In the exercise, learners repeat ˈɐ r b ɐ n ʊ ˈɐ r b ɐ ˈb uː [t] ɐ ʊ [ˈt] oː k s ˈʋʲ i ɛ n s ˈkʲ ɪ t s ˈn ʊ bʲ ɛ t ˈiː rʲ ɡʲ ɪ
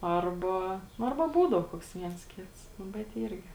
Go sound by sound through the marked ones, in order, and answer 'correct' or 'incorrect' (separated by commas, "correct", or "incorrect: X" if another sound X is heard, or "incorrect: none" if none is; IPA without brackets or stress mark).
incorrect: d, incorrect: k